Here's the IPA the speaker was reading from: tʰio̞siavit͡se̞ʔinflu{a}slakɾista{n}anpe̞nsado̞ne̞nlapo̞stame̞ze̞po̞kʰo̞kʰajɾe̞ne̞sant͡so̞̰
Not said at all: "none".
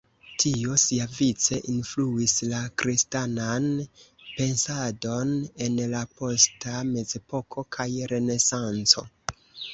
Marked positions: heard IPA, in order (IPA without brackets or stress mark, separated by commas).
i, n